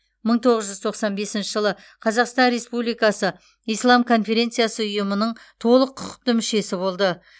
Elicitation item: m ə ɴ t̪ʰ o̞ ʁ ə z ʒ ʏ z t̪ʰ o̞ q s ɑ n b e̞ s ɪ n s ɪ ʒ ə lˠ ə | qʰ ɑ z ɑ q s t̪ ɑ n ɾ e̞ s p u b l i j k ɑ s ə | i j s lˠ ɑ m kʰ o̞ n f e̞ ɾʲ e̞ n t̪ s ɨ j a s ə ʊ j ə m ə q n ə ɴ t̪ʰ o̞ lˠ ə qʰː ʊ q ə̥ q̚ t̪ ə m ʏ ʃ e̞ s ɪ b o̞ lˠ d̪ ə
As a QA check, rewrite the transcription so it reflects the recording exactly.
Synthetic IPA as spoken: m ə ɴ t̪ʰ o̞ ʁ ə z ʒ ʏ z t̪ʰ o̞ q s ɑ n b e̞ s ɪ n ʃ ɪ ʒ ə lˠ ə | qʰ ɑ z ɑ q s t̪ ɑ n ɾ e̞ s p u b l i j k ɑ s ə | i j s lˠ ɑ m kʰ o̞ n f e̞ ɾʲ e̞ n t̪ s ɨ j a s ə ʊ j ə m ə n ə ɴ t̪ʰ o̞ lˠ ə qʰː ʊ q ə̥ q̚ t̪ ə m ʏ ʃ e̞ s ɪ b o̞ lˠ d̪ ə